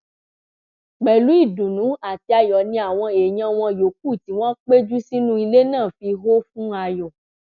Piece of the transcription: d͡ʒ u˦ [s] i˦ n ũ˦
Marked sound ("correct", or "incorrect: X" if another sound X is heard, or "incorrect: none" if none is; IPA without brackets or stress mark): correct